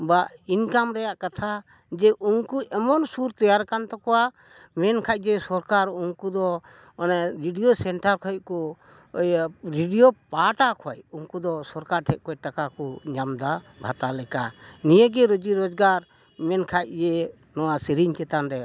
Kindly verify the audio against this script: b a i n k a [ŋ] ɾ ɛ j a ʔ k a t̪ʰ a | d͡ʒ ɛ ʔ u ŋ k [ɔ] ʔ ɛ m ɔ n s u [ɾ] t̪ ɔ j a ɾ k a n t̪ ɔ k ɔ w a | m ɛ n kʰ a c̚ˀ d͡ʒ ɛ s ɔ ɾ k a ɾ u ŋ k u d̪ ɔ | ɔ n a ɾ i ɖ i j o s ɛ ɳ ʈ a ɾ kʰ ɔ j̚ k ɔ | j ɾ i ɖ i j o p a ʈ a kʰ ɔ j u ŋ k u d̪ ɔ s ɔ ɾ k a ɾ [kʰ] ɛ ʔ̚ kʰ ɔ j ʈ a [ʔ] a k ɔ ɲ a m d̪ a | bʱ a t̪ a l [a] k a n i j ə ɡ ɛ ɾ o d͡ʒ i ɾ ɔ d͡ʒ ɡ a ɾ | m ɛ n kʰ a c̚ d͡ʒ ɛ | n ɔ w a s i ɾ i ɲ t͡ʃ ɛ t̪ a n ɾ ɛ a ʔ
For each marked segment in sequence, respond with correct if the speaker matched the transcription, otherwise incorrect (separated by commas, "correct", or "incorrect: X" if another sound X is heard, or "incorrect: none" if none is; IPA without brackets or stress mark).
incorrect: m, incorrect: u, correct, incorrect: ʈʰ, incorrect: k, incorrect: ɛ